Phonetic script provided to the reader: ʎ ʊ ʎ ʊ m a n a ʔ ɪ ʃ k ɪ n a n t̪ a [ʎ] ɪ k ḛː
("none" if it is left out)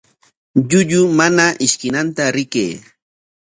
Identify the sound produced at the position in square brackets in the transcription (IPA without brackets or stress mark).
ɾ